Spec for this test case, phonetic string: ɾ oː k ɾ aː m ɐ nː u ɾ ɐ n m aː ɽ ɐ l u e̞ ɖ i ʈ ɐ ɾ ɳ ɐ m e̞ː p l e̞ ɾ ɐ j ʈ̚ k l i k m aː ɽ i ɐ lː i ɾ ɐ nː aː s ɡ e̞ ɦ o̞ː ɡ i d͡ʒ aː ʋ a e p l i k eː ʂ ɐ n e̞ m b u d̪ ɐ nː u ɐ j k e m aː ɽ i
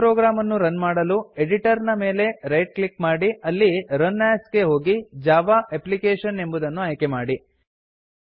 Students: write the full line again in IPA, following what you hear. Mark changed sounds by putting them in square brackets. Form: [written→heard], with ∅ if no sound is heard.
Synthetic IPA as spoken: ɾ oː [k→ɡ] ɾ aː m ɐ nː u ɾ ɐ n m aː ɽ ɐ l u e̞ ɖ i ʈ ɐ ɾ [ɳ→n] ɐ m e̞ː [p→∅] l e̞ ɾ ɐ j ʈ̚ k l i k m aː ɽ i ɐ lː i ɾ ɐ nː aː s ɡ e̞ ɦ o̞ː ɡ i d͡ʒ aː ʋ a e p l i k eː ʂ ɐ n e̞ m b u d̪ ɐ nː u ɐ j k e m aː ɽ i